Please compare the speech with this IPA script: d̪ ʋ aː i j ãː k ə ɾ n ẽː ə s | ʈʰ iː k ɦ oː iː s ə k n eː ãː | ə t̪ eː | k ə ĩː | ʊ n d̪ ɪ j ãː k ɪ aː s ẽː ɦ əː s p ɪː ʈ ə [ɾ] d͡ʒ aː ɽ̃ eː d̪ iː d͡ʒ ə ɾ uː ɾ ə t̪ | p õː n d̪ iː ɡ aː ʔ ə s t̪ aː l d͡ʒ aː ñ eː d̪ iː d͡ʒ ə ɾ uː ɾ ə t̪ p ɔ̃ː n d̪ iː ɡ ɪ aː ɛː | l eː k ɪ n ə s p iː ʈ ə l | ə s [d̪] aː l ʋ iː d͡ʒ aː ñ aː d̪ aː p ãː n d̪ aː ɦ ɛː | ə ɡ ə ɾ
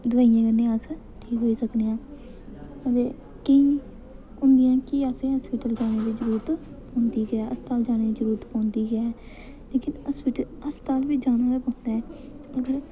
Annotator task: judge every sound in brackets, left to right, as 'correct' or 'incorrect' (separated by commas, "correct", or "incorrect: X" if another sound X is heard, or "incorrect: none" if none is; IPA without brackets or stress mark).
incorrect: l, incorrect: t̪